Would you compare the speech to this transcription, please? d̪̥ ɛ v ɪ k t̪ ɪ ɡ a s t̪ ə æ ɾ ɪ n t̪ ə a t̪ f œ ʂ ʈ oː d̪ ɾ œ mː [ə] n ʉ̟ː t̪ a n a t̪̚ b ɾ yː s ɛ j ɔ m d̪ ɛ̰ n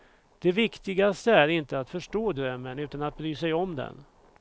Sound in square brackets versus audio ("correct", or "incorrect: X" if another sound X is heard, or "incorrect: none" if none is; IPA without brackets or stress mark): correct